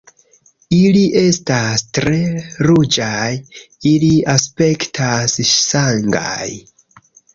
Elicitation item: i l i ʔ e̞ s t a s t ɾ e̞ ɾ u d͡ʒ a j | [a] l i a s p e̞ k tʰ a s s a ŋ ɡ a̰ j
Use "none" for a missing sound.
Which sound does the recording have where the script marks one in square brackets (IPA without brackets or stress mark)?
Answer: i